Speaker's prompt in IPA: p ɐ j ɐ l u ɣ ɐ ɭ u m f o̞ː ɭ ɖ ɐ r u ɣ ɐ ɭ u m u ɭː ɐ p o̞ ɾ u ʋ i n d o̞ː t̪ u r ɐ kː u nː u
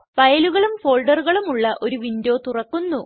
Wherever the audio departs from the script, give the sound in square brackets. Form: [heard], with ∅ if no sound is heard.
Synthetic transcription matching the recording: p ɐ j ɐ l u ɣ ɐ ɭ u m f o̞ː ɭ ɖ ɐ r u ɣ ɐ ɭ u m u ɭː ɐ [ʔ] o̞ ɾ u ʋ i n d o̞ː t̪ u r ɐ kː u nː u